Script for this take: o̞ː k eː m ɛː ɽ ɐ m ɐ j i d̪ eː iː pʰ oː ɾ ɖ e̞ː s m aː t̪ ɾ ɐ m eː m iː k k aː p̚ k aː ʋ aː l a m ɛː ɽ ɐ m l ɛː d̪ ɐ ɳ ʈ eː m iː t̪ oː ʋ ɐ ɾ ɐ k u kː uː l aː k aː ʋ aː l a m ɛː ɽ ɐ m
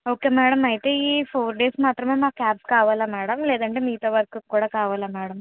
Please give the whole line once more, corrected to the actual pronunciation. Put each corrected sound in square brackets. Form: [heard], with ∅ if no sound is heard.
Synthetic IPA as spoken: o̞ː k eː m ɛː ɽ ɐ m ɐ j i [t̪] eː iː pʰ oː ɾ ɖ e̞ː s m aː t̪ ɾ ɐ m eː m [aː] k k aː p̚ k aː ʋ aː l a m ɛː ɽ ɐ m l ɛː d̪ ɐ ɳ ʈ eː m iː t̪ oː ʋ ɐ ɾ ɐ k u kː uː [ɽ] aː k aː ʋ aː l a m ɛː ɽ ɐ m